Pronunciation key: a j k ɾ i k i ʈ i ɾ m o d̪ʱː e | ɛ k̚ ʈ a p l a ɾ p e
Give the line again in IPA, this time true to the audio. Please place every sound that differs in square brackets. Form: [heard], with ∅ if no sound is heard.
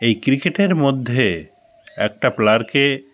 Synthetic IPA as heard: [e] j k ɾ i k [e] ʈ [e] ɾ m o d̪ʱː e | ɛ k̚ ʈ a p l a ɾ [k] e